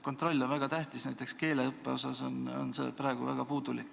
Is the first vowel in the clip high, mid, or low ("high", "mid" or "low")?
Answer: mid